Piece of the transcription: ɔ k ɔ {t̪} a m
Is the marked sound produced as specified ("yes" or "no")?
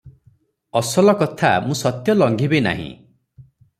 no